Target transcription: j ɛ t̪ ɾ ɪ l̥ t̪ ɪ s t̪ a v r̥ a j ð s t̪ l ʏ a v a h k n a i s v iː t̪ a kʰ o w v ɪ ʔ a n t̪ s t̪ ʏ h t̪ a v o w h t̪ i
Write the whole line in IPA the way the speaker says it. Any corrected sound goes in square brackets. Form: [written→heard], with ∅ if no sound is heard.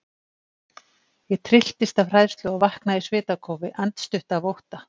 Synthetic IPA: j ɛ [t̪→t̪ʰ] ɾ ɪ l̥ t̪ ɪ s t̪ a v r̥ a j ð s t̪ l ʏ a v a h k n a i s v [iː→ɪː] t̪ a kʰ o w v ɪ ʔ a n t̪ s t̪ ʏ h t̪ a v o w h t̪ [i→a]